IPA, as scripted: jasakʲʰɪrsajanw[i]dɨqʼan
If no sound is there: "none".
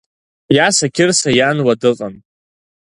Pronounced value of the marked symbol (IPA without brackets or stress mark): a